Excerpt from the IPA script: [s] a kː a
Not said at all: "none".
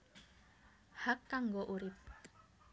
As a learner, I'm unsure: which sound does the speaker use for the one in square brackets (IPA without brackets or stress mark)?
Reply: h